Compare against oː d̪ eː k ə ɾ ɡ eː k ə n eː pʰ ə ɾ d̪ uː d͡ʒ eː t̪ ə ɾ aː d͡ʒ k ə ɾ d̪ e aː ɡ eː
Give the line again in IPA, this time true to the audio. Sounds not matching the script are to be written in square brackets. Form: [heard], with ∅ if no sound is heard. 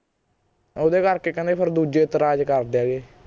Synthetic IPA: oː d̪ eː k ə ɾ [k] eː k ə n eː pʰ ə ɾ d̪ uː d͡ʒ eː t̪ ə ɾ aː d͡ʒ k ə ɾ d̪ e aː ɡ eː